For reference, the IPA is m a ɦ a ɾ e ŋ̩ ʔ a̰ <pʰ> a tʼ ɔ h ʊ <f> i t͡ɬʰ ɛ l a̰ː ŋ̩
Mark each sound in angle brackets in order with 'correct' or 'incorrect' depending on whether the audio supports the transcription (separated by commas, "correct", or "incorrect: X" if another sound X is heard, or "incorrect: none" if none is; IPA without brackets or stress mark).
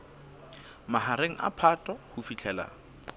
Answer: correct, correct